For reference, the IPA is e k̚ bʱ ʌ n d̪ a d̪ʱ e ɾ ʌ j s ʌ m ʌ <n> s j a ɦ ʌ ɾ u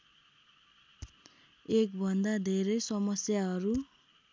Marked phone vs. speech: incorrect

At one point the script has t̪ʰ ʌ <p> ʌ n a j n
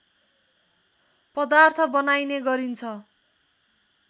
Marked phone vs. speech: incorrect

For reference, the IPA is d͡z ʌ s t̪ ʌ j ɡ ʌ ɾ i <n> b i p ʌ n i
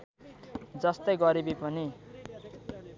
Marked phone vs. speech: incorrect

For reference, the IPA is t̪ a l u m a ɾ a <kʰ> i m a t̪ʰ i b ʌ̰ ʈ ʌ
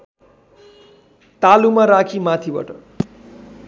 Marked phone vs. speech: correct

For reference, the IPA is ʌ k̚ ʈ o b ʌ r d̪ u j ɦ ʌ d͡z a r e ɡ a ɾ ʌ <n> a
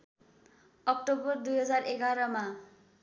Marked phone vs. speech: incorrect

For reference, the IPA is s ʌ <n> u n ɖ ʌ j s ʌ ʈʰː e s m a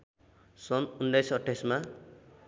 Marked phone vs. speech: correct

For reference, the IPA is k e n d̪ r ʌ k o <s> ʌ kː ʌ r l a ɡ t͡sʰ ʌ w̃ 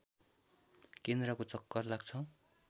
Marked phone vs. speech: incorrect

